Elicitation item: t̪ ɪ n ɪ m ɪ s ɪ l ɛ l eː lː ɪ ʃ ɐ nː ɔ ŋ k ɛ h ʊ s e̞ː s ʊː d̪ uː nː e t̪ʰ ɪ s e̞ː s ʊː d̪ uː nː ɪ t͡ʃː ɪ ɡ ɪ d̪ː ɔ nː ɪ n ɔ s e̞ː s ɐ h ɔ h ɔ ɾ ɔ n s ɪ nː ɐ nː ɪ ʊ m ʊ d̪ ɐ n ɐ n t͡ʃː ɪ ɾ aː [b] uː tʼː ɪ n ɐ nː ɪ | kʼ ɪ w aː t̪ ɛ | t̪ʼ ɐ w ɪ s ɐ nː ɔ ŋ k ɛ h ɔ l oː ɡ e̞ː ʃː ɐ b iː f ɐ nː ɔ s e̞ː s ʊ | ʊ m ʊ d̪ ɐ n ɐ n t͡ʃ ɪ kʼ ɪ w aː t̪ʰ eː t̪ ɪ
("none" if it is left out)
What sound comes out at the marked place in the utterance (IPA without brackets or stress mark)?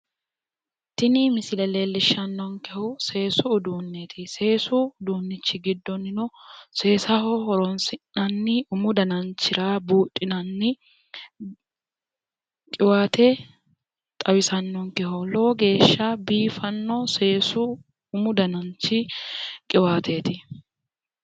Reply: b